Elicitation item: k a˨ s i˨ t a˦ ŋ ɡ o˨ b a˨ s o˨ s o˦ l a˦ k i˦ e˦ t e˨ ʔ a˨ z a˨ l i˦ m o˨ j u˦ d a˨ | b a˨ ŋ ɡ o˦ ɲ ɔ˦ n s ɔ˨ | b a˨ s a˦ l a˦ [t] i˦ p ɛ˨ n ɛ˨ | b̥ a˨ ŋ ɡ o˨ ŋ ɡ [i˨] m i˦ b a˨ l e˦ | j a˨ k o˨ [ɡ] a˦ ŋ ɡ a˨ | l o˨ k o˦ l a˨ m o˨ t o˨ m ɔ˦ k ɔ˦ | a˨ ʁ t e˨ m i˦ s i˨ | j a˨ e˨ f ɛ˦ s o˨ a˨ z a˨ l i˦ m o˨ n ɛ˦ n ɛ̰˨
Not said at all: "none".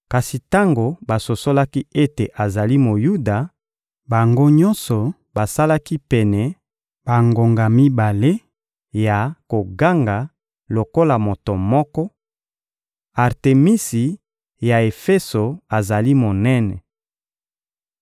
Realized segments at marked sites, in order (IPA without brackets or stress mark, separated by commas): k, a˨, ɡ